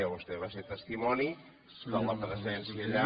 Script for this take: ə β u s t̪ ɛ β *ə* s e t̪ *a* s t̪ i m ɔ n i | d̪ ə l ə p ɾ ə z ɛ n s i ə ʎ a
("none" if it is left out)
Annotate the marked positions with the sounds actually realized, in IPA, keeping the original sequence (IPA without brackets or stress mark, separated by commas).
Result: a, ə